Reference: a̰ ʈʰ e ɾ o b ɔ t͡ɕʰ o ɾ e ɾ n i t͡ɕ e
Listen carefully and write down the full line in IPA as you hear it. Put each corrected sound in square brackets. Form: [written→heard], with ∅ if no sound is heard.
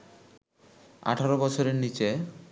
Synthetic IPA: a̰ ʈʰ [e→a] ɾ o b ɔ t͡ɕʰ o ɾ e ɾ n i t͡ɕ e